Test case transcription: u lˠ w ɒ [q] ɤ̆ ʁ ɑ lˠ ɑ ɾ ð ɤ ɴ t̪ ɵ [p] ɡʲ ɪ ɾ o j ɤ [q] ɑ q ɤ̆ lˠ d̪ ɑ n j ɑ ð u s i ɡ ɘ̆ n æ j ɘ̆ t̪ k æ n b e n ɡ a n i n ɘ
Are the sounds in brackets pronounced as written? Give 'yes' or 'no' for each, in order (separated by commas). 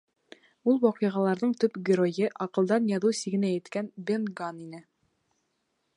yes, yes, no